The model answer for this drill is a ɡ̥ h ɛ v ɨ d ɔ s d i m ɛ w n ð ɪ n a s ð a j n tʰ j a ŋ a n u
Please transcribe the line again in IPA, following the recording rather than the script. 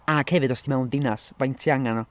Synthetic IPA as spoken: a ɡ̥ h ɛ v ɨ d ɔ s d i m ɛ w n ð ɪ n a s v a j n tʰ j a ŋ a n ɔ